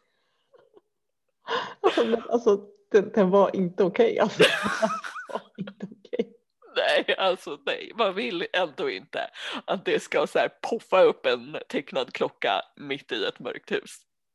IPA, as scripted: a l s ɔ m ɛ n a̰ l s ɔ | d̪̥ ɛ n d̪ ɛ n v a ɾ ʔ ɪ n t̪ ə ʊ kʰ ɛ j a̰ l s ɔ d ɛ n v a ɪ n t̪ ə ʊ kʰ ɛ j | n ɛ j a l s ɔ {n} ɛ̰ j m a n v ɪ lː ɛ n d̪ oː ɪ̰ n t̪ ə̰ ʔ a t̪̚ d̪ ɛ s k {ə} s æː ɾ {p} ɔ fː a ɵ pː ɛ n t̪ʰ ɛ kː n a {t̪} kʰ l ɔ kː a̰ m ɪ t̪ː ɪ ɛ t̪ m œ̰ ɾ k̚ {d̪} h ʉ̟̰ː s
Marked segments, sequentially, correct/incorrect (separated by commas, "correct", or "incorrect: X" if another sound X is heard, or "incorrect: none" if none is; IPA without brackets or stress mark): correct, incorrect: a, incorrect: pʰ, incorrect: d̪, incorrect: t̪